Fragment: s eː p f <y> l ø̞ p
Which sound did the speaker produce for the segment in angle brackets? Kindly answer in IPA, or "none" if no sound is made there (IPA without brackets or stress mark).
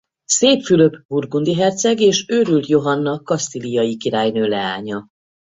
y